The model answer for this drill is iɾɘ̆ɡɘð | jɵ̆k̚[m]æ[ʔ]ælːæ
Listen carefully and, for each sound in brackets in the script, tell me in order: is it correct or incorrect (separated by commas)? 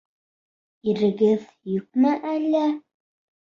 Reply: correct, correct